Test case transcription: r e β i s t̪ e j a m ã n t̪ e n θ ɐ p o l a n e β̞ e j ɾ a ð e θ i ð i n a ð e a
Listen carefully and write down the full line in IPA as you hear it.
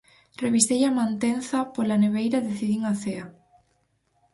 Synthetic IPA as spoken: r e β i s t̪ e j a m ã n t̪ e n θ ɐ p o l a n e β̞ e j ɾ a ð e θ i ð i ŋ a θ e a